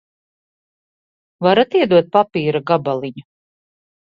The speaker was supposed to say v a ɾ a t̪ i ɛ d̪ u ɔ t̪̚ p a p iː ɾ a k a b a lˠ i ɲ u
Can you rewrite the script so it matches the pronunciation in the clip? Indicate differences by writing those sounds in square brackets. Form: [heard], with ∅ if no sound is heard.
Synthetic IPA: v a ɾ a t̪ i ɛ d̪ u ɔ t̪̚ p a p iː ɾ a [ɡ] a b a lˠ i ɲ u